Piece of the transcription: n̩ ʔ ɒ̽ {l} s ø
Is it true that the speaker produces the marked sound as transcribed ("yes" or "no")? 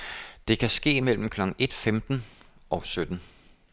no